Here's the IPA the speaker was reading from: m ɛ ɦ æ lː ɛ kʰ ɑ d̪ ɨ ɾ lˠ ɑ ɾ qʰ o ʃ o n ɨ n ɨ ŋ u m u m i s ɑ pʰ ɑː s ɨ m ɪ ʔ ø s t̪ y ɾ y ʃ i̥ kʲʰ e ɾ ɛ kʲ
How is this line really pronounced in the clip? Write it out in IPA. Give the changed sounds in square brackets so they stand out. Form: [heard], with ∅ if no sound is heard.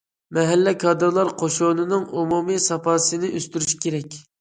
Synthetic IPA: m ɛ ɦ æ lː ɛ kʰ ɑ d̪ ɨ ɾ lˠ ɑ ɾ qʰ o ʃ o n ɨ n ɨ ŋ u m u m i s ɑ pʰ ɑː s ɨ [n] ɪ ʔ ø s t̪ y ɾ y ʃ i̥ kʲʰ e ɾ ɛ kʲ